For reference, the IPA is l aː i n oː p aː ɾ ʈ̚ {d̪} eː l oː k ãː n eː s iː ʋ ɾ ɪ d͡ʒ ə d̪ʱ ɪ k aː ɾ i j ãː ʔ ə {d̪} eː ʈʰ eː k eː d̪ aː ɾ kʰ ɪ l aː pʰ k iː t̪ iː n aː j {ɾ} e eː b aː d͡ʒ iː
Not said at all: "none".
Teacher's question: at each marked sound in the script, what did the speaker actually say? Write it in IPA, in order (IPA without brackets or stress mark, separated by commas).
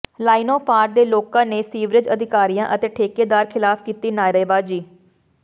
d̪, t̪, ɾ